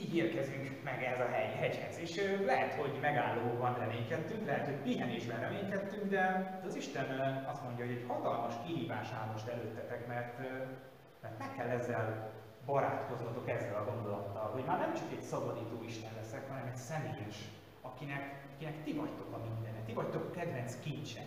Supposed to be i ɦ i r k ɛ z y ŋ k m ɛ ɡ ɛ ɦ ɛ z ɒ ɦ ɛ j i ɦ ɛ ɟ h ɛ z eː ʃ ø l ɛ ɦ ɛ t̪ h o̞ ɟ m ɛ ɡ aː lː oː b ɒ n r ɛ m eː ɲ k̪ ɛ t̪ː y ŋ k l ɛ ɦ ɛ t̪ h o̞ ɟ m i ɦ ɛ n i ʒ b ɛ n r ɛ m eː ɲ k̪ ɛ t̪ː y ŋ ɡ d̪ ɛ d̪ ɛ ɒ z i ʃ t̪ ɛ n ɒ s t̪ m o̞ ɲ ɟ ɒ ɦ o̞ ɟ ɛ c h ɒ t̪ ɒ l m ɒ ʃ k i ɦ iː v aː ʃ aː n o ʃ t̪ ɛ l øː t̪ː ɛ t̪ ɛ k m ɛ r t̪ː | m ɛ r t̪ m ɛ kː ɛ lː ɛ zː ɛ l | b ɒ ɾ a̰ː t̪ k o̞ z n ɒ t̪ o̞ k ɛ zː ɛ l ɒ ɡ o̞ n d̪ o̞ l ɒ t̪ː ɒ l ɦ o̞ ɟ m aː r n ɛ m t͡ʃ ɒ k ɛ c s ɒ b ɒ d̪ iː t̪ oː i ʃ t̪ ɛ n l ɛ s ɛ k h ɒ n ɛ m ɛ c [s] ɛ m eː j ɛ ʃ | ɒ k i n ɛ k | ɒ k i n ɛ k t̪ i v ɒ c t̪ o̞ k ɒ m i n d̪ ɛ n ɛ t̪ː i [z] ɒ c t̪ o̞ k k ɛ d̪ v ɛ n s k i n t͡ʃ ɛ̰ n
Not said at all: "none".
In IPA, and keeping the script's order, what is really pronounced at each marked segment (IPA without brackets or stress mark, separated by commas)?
s, v